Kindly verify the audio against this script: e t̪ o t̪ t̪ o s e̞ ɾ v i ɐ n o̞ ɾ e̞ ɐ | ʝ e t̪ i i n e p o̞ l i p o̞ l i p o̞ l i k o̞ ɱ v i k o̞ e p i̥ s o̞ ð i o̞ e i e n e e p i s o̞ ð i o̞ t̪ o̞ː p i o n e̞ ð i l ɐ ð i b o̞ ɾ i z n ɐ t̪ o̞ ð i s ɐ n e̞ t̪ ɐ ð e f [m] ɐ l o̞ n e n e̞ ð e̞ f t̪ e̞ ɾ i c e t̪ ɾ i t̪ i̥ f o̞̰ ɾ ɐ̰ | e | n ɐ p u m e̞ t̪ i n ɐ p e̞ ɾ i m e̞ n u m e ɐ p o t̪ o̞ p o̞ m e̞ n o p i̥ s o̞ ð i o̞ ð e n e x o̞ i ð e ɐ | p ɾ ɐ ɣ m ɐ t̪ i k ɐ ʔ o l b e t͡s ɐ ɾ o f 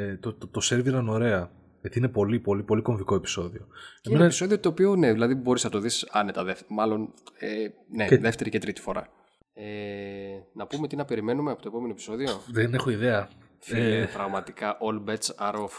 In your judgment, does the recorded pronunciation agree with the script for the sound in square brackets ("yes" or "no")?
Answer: yes